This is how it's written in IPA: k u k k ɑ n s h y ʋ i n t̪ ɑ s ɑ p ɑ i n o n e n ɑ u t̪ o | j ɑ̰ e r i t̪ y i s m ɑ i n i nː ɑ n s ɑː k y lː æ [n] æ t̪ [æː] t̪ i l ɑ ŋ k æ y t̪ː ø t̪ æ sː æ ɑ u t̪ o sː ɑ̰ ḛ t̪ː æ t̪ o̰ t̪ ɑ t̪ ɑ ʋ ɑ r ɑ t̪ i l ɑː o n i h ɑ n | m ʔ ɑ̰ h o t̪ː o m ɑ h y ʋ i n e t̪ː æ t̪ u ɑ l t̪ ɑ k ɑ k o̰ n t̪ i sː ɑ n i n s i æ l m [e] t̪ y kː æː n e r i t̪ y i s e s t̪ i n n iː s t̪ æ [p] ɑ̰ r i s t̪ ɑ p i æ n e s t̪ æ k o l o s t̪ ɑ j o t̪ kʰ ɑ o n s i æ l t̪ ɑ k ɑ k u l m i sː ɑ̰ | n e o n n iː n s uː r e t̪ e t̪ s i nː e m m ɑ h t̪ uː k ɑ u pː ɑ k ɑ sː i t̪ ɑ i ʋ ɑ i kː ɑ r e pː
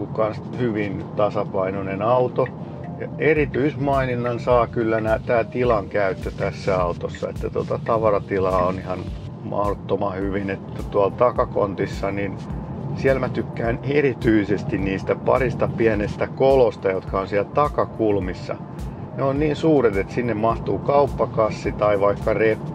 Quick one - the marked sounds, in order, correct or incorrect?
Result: correct, correct, incorrect, correct

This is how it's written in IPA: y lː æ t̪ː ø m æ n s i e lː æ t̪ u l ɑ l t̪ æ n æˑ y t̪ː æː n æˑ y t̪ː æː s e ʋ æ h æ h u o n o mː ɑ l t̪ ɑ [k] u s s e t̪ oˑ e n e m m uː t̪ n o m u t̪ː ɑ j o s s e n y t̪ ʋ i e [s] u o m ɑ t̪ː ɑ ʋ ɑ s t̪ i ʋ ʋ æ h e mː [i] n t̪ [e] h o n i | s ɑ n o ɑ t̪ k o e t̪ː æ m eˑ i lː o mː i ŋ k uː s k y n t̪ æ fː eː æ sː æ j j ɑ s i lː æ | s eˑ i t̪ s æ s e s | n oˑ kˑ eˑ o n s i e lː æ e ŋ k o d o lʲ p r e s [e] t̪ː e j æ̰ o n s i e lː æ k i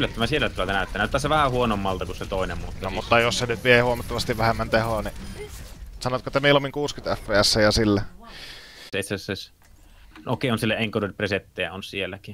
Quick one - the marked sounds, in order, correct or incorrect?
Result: correct, incorrect, incorrect, correct, correct

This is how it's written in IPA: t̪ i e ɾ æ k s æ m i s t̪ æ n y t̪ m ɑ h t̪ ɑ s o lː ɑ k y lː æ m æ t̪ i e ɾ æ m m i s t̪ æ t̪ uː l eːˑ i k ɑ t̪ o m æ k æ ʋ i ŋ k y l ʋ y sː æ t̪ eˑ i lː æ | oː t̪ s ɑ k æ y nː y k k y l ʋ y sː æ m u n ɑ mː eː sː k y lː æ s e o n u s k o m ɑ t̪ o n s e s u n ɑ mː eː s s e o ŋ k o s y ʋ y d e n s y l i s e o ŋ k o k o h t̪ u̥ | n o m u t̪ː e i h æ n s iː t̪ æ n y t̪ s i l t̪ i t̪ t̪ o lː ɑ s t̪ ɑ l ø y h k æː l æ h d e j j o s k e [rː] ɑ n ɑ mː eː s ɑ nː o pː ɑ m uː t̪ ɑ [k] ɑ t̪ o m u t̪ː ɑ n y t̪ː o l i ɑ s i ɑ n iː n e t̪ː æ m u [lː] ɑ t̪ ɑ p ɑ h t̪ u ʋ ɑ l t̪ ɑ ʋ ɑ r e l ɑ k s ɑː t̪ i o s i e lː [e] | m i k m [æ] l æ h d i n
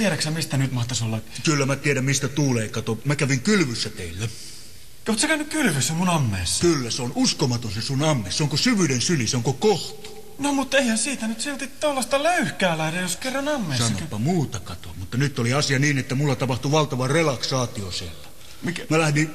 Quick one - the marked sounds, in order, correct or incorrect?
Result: correct, correct, correct, incorrect, correct

